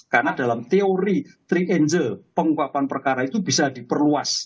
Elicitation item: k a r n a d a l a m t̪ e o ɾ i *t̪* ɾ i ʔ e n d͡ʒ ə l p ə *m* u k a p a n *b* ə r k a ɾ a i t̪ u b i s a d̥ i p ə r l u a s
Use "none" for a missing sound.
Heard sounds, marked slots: t̪, ŋ, p

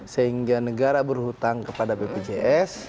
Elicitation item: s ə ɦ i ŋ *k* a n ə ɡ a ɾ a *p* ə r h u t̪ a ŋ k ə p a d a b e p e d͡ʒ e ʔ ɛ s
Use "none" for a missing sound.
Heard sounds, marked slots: ɡ, b

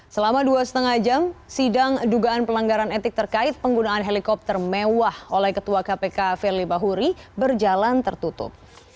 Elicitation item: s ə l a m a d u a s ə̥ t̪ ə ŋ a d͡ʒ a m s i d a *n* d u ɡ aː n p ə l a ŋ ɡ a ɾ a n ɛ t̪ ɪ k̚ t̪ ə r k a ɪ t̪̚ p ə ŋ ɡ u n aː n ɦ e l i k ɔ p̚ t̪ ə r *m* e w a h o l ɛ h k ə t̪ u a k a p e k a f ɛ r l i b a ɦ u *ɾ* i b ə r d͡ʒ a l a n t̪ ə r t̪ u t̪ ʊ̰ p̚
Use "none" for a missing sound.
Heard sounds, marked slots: ŋ, m, ɾ

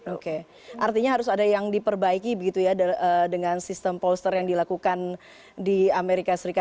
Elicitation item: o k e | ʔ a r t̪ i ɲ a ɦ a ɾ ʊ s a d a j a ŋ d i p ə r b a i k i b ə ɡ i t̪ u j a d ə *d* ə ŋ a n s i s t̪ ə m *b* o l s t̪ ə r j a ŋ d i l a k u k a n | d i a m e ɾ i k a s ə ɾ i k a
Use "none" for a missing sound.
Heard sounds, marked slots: d, p

